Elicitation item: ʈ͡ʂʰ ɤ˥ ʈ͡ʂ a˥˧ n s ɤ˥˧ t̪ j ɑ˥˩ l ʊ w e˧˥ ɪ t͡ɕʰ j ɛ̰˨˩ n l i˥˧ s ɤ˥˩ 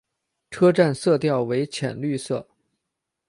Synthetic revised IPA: ʈ͡ʂʰ ɤ˥ ʈ͡ʂ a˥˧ n s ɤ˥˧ t̪ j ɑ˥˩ ʊ w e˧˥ ɪ t͡ɕʰ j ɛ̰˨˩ n l y˥˧ s ɤ˥˩